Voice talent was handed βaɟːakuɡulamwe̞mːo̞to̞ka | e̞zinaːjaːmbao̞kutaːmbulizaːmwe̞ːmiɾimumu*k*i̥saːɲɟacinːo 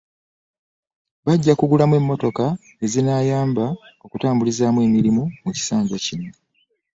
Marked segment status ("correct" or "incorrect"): incorrect